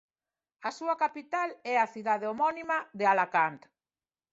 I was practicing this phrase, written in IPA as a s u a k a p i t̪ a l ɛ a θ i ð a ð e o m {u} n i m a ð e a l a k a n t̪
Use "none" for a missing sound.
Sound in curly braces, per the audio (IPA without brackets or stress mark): ɔ